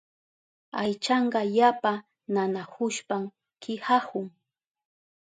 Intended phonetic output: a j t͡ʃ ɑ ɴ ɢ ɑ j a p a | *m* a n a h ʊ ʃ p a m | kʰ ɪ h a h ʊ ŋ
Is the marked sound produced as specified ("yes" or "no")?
no